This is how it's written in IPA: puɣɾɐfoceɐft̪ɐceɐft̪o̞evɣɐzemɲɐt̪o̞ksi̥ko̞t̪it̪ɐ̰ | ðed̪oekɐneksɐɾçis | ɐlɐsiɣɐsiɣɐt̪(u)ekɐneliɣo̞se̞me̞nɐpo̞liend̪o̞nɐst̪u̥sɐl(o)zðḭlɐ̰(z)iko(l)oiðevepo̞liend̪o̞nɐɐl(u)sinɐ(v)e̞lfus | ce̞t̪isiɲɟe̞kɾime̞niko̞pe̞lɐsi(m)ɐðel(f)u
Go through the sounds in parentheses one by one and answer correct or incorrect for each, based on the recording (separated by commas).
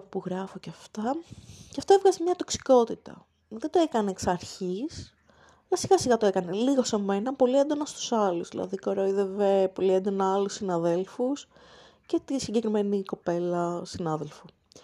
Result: incorrect, incorrect, incorrect, incorrect, correct, incorrect, incorrect, correct